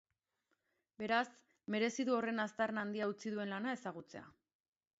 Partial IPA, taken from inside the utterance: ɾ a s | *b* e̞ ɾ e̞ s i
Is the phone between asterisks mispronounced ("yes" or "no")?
yes